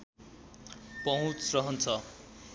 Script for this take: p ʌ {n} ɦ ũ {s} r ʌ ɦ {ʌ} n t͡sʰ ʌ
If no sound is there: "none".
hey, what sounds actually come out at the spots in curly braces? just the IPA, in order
none, t͡s, ʌ

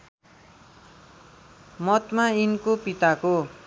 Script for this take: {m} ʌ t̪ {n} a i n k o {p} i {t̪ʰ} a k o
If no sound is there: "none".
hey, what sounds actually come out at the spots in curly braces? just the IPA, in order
m, m, p, t̪

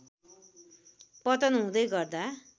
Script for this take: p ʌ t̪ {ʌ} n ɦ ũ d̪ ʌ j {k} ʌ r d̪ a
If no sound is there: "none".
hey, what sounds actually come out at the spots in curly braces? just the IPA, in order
ʌ, ɡ

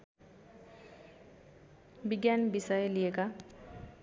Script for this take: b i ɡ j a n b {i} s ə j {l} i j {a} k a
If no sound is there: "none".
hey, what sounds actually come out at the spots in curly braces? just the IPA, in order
i, l, e

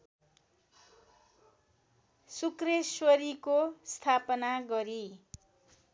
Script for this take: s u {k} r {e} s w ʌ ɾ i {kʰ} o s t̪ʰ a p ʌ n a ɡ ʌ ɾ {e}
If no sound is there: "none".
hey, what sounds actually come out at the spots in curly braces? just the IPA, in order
k, e, k, i

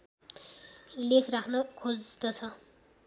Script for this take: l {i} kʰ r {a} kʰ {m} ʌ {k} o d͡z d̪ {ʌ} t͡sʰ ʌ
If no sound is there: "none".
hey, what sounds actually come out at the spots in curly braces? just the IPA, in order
e, a, n, kʰ, ʌ

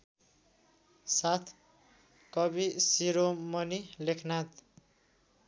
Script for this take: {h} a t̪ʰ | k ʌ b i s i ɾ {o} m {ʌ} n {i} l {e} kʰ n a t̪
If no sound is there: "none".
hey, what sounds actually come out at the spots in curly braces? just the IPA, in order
s, o, ʌ, i, e

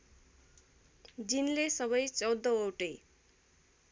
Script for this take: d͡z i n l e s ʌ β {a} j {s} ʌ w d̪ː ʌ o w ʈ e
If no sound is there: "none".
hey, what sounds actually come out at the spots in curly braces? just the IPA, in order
ʌ, t͡s

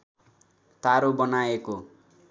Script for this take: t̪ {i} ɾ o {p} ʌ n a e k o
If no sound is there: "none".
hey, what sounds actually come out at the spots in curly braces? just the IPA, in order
a, b

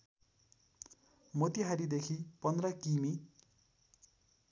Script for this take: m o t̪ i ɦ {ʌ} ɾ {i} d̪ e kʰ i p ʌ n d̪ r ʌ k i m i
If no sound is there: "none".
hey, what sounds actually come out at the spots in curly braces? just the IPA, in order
a, i

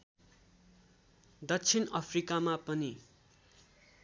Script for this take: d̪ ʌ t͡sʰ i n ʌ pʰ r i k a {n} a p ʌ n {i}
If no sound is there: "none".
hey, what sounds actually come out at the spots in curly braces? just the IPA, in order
m, i

